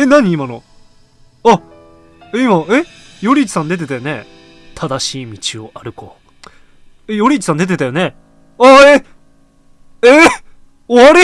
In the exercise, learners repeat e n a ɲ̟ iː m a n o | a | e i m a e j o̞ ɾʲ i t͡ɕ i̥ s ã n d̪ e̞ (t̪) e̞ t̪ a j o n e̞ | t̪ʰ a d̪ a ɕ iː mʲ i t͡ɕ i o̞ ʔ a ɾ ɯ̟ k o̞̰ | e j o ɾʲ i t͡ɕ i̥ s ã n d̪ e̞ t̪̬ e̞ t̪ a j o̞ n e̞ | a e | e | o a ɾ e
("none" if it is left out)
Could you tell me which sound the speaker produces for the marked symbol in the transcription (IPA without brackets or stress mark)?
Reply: t̪